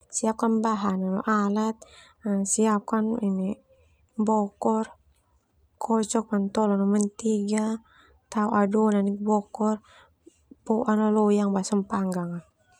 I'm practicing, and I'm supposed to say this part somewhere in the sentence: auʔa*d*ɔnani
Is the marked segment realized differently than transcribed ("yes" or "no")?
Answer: no